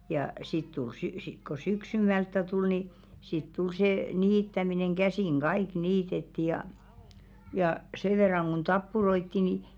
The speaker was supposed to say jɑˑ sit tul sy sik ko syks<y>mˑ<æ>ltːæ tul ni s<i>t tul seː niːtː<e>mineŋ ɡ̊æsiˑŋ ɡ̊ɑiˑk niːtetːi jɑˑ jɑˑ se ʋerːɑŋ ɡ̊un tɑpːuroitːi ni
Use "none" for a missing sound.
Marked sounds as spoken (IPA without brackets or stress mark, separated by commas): y, æ, i, æ